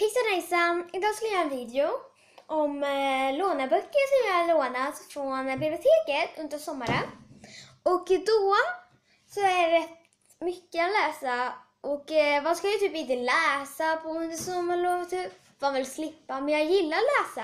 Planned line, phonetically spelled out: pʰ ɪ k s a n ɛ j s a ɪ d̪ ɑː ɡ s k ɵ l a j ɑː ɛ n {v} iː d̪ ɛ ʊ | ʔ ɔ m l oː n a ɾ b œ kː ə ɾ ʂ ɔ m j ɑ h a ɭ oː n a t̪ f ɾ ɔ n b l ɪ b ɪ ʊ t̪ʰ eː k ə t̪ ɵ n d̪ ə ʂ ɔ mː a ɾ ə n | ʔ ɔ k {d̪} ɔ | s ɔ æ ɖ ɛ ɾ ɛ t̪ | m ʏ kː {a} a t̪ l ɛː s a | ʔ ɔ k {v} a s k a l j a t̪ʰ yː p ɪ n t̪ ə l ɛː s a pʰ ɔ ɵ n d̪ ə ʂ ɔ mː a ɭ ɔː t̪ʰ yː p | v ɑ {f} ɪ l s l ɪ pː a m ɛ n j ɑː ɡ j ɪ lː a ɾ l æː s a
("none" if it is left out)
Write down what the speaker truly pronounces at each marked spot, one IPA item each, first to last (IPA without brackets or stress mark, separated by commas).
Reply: v, d̪, ə, v, v